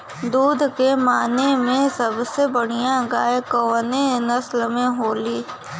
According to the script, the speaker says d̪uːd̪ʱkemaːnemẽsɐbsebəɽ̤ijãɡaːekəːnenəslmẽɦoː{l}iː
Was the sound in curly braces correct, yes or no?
yes